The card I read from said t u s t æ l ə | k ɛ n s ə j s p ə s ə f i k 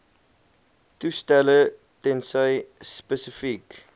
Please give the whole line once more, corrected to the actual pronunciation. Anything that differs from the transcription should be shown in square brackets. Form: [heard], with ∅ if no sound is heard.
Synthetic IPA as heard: t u s t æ l ə | [t] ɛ n s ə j s p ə s ə f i k